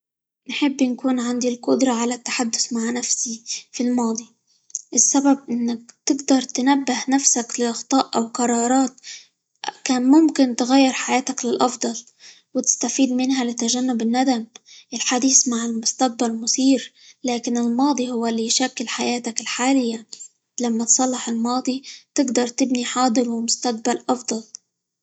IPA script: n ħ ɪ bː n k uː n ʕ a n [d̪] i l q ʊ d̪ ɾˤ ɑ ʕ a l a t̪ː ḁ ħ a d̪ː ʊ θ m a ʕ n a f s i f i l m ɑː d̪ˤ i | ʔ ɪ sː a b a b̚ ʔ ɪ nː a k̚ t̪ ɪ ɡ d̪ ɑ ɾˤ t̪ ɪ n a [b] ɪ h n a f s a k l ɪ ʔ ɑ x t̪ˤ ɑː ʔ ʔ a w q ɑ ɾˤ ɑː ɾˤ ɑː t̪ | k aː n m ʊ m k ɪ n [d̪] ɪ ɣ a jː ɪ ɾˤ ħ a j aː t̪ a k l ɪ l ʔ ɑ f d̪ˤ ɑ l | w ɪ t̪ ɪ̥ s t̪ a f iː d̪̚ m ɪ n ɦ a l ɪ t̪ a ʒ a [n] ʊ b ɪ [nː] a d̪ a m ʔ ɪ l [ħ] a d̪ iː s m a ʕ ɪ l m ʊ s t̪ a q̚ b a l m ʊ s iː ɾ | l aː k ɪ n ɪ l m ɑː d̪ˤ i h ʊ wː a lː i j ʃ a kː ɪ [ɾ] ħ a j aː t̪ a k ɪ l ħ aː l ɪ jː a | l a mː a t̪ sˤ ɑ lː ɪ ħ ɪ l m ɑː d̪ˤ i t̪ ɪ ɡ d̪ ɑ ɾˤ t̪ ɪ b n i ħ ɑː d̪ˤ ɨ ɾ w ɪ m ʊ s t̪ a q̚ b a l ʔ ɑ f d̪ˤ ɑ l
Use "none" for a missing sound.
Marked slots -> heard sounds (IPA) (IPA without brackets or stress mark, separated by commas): d̪, bː, t̪, nː, nː, ħ, l